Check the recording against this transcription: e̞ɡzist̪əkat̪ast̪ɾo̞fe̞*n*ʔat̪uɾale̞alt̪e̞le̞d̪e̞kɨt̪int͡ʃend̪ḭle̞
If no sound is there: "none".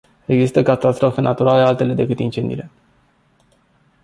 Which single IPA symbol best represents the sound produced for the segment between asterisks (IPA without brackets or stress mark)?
n